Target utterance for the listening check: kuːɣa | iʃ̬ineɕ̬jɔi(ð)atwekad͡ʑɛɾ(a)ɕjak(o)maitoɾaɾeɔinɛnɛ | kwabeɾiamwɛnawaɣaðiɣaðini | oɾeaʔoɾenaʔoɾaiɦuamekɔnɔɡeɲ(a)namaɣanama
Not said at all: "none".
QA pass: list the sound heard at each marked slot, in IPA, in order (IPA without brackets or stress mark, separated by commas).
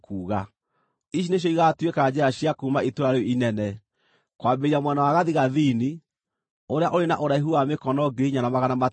ɣ, a, u, a